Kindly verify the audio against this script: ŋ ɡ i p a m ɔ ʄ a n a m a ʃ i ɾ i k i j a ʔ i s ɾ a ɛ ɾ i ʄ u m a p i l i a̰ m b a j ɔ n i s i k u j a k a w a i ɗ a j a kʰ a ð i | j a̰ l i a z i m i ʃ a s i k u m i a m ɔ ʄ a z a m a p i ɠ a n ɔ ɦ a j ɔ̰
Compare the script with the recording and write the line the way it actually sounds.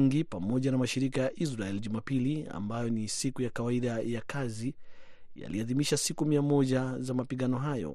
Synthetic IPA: ŋ ɡ i p a m ɔ ʄ a n a m a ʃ i ɾ i k a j a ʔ i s ɾ a ɛ l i ʄ u m a p i l i a̰ m b a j ɔ n i s i k u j a k a w a i ɗ a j a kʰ a z i | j a̰ l i a ð i m i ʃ a s i k u m i a m ɔ ʄ a z a m a p i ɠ a n ɔ ɦ a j ɔ̰